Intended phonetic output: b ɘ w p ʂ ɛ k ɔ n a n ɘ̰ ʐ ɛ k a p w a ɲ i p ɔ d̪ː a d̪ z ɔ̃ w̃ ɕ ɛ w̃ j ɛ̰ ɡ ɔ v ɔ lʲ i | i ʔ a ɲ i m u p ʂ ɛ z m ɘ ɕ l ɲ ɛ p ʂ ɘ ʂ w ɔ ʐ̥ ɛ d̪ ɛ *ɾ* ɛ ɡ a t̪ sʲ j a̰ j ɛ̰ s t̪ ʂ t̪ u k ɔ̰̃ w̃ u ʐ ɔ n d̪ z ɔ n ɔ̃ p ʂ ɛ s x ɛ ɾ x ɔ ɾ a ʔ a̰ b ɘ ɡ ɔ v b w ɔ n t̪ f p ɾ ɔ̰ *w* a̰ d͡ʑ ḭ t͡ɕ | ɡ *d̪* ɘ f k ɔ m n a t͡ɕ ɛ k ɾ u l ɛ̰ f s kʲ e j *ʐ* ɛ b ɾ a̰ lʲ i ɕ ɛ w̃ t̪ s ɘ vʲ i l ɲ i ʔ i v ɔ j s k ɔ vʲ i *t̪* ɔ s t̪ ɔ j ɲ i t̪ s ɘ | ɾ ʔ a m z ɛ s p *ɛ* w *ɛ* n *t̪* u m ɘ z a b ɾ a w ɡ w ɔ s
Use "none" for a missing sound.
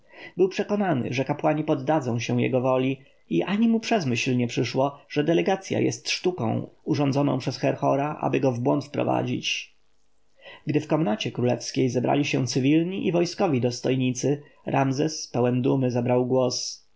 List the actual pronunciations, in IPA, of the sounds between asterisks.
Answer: l, v, d̪, z, d̪, ɛ, ɛ, d̪

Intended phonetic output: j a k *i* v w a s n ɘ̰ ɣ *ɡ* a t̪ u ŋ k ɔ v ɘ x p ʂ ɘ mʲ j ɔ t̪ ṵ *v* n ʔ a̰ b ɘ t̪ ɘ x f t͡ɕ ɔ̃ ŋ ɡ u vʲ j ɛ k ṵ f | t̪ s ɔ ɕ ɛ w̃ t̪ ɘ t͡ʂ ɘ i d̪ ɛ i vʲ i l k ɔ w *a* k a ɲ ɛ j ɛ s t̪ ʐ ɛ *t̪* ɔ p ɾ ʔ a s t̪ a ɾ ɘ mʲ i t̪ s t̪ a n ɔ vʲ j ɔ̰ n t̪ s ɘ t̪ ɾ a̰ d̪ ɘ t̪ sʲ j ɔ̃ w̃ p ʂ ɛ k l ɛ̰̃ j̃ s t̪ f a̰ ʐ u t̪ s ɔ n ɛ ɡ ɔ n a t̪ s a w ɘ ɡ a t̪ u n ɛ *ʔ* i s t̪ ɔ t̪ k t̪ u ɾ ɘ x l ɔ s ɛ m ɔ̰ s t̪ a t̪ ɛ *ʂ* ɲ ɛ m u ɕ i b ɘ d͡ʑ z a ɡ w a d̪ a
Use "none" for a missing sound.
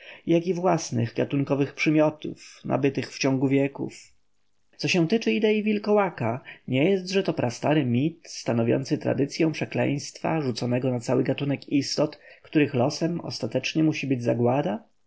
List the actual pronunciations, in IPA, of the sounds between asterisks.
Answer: i, ɡ, f, a, t̪, k, t͡ʂ

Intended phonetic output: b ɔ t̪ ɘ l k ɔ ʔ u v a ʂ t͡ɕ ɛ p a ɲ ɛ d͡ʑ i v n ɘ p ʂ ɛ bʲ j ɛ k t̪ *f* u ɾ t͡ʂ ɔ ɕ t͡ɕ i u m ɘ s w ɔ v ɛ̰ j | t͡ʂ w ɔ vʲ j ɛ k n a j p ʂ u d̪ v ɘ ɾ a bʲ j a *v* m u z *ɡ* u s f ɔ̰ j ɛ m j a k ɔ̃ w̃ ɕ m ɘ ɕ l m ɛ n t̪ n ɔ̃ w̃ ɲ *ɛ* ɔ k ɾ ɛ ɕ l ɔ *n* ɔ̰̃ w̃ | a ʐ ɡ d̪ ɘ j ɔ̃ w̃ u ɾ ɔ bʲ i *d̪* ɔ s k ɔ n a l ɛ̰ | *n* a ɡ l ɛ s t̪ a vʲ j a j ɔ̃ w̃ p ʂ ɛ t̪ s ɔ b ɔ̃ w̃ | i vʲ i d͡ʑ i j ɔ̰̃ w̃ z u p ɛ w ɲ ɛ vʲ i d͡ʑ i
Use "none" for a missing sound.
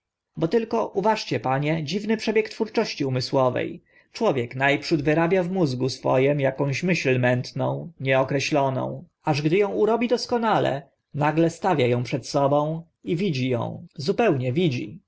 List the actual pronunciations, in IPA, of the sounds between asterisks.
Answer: f, v, ɡ, ɛ, n, d̪, n

